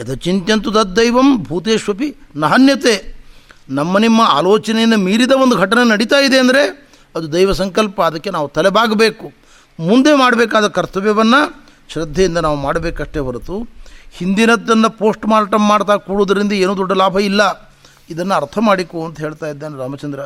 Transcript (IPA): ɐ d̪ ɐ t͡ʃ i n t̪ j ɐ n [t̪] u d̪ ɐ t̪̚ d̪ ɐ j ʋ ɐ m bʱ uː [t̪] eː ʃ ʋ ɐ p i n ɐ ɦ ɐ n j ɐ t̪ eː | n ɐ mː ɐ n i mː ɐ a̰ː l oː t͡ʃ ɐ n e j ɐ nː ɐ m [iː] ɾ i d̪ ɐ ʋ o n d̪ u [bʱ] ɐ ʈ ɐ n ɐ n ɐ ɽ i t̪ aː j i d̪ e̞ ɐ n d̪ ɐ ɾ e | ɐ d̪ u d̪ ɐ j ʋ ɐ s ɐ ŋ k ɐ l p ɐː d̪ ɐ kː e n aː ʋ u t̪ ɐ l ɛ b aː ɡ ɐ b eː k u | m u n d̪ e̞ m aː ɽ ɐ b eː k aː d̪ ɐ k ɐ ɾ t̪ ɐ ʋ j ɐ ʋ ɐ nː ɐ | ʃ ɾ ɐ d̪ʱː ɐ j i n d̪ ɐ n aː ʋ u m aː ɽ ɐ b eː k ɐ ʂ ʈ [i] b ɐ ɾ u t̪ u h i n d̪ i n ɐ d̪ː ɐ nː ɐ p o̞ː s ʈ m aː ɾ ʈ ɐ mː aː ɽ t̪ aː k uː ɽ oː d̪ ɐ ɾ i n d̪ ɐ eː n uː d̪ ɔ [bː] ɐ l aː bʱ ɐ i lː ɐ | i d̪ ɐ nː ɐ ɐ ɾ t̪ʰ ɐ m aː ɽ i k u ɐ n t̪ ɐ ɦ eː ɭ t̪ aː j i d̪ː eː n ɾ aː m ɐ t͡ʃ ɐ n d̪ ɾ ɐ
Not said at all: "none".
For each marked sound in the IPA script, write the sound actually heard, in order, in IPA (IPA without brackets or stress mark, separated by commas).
t̪, t̪, iː, ɡʱ, e, ɖː